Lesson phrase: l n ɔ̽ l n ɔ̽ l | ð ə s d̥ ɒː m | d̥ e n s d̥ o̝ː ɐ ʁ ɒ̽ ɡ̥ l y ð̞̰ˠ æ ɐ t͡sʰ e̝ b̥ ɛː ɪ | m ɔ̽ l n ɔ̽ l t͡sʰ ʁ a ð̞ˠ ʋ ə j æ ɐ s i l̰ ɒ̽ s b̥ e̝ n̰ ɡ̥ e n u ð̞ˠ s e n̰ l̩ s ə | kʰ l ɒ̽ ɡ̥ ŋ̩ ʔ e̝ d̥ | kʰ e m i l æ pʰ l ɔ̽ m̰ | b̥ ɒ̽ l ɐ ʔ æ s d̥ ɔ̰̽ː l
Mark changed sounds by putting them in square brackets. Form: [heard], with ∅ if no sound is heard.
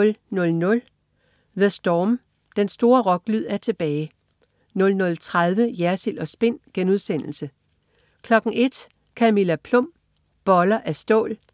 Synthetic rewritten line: l n ɔ̽ l n ɔ̽ l | ð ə s d̥ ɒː m | d̥ e n s d̥ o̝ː ɐ ʁ ɒ̽ ɡ̥ l y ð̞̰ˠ æ ɐ t͡sʰ e̝ b̥ ɛː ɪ | [n] ɔ̽ l n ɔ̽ l t͡sʰ ʁ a ð̞ˠ ʋ ə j æ ɐ s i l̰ ɒ̽ s b̥ e̝ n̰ ɡ̥ e n u ð̞ˠ s e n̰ l̩ s ə | kʰ l ɒ̽ ɡ̥ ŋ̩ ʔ e̝ d̥ | kʰ [æ] m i l æ pʰ l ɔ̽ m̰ | b̥ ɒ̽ l ɐ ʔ æ s d̥ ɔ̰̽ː l